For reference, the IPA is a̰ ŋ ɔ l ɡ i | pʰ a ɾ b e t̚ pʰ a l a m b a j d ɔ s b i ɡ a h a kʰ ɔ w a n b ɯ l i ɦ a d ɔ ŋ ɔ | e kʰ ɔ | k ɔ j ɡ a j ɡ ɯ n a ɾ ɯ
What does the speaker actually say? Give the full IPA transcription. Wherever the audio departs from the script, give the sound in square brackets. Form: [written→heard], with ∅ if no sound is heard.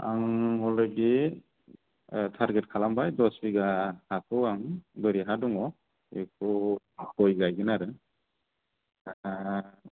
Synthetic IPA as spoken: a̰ ŋ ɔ l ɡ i | [pʰ→tʰ] a ɾ [b→ɡ] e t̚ [pʰ→kʰ] a l a m b a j d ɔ s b i ɡ a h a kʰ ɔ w a [n→ŋ] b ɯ [l→ɾ] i ɦ a d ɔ ŋ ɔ | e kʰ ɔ | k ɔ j ɡ a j ɡ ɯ n a ɾ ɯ